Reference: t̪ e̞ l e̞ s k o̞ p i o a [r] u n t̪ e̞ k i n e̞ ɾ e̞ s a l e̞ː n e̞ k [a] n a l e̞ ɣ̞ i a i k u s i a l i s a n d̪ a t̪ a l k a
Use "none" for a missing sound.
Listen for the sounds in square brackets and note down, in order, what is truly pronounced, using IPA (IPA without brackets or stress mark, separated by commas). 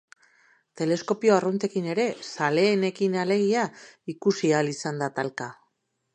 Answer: r, i